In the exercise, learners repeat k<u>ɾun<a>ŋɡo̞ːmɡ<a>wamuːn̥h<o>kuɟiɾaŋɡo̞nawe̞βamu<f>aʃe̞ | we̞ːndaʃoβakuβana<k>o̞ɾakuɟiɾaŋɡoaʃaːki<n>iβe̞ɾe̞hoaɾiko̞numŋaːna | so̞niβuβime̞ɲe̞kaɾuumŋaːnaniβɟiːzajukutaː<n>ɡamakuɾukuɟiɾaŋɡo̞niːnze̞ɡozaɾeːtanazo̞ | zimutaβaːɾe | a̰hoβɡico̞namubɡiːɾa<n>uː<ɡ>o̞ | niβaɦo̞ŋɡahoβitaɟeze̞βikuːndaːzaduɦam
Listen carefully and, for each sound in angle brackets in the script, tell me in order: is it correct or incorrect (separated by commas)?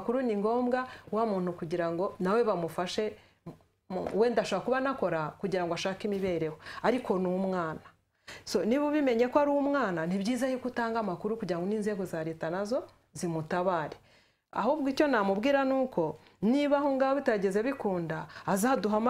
correct, incorrect, correct, incorrect, correct, correct, incorrect, incorrect, correct, incorrect